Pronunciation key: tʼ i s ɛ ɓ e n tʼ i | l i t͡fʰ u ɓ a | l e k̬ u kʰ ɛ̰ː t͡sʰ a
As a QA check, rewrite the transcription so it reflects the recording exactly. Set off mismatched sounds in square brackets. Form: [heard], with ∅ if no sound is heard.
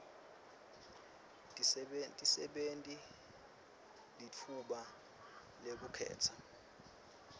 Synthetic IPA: tʼ i s ɛ ɓ e n tʼ i | l i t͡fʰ u ɓ a | l e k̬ u kʰ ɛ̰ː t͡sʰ a